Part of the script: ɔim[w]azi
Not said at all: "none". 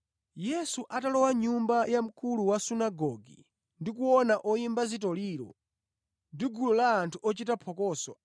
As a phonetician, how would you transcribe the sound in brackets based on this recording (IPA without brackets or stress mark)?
b